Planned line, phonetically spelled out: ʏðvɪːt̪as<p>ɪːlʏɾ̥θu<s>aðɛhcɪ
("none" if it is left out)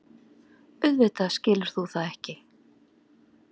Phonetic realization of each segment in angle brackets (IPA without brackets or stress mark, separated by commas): c, θ